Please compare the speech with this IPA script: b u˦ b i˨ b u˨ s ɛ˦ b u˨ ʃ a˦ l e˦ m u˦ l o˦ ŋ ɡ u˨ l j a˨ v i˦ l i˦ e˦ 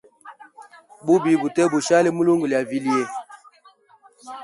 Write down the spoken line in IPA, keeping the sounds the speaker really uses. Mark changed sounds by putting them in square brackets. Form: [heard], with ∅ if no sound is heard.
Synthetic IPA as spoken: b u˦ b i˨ b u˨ [t] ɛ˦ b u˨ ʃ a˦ l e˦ m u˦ l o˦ ŋ ɡ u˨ l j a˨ v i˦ l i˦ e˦

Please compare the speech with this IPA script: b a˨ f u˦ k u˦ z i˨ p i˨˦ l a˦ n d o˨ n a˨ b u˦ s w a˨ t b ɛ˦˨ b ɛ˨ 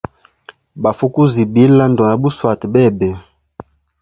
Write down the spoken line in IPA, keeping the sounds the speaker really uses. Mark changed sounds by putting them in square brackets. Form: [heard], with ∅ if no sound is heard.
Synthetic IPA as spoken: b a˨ f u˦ k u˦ z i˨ [b] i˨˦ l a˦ n d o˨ n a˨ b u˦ s w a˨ t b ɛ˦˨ b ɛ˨

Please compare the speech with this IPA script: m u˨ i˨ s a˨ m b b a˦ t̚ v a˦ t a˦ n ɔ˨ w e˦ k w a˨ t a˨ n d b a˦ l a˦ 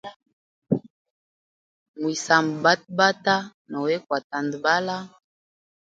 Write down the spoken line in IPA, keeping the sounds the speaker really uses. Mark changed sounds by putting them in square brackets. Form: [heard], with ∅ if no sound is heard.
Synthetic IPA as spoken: m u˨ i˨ s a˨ m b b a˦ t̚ [b] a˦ t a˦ n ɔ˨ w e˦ k w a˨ t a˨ n d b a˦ l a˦

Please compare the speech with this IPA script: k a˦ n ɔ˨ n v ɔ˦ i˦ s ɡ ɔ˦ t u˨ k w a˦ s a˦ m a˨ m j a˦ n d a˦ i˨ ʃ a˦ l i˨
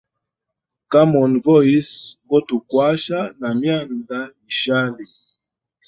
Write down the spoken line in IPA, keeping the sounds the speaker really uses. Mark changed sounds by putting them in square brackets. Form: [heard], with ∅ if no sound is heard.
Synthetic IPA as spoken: k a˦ [m] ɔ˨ n v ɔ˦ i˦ s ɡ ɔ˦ t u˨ k w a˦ [ʃ] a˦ [n] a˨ m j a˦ n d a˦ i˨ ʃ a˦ l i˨

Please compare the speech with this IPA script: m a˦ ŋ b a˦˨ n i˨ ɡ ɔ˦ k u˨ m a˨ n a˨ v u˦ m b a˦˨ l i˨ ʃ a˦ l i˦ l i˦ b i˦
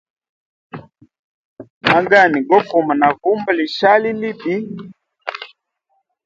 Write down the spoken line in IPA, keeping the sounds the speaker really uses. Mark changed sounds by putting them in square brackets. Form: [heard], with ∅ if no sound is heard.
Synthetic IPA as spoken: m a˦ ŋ [ɡ] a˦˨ n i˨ ɡ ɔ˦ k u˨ m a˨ n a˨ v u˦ m b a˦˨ l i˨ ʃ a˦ l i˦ l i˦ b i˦

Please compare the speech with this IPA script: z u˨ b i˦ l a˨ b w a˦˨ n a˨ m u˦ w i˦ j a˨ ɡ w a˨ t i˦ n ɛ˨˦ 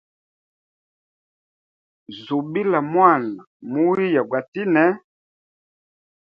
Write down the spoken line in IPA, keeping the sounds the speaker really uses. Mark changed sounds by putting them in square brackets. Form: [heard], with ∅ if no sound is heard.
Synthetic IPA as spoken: z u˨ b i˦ l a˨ [m] w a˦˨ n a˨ m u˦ w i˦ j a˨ ɡ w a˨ t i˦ n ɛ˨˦

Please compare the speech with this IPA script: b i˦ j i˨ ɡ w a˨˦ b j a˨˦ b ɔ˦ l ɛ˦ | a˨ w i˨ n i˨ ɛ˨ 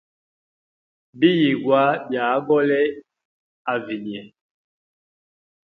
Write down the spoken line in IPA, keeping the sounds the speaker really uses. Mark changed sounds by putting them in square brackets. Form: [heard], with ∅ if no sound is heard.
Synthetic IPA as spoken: b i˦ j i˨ ɡ w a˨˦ b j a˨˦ [ɡ] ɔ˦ l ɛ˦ | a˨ [v] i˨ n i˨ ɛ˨

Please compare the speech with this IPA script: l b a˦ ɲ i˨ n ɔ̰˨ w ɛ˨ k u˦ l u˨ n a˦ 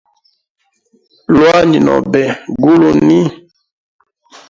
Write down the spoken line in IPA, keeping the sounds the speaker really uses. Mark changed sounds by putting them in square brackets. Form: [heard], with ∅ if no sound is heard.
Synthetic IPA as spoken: l [w] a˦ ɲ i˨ n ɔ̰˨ [b] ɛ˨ [ɡ] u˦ l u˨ n [i˦]

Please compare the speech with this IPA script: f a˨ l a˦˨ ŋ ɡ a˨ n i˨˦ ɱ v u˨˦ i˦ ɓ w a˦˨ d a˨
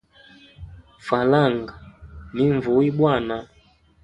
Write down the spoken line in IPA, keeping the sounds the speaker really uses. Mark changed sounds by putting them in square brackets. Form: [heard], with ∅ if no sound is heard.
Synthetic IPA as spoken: f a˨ l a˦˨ ŋ ɡ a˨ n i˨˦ ɱ v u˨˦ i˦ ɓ w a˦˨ [n] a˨

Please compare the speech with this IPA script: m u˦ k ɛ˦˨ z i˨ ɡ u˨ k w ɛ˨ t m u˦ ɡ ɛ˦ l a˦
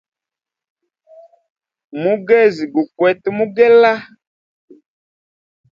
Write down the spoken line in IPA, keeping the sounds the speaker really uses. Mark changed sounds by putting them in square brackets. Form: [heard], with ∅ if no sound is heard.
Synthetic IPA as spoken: m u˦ [ɡ] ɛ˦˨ z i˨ ɡ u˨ k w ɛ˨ t m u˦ ɡ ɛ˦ l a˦

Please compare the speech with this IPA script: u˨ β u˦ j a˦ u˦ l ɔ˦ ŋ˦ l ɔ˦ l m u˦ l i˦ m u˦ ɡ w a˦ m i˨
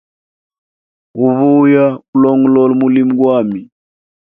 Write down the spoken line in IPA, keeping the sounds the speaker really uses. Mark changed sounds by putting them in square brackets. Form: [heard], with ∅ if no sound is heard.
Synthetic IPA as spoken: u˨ β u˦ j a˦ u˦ l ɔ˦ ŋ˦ l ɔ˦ l m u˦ l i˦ m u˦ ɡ w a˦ m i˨

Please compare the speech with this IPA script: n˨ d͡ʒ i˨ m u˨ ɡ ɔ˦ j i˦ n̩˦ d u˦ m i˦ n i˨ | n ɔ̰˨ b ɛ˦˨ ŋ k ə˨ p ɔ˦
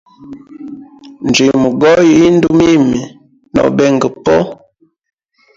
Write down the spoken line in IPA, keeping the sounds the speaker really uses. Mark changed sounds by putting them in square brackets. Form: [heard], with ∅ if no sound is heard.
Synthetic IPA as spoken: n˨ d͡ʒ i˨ m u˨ ɡ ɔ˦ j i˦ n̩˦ d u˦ m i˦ [m] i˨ | n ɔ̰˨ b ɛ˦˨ ŋ [ɡ] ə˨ p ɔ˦

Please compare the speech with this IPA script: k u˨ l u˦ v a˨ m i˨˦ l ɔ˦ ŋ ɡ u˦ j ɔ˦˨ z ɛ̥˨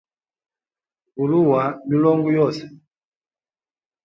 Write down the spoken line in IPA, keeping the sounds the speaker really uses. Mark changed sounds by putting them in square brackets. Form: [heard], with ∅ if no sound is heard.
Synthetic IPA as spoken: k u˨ l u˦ [w] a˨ m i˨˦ l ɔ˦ ŋ ɡ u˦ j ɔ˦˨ [s] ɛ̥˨

